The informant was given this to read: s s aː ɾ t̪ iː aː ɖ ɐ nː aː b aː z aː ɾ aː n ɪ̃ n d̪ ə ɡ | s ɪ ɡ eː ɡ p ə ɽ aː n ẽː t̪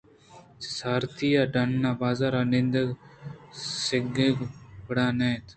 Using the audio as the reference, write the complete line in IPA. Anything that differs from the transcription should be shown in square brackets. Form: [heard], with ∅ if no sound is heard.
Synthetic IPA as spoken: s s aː ɾ t̪ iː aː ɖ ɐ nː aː b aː z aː ɾ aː n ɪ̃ n d̪ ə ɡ | s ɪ ɡ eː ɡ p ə ɽ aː n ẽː t̪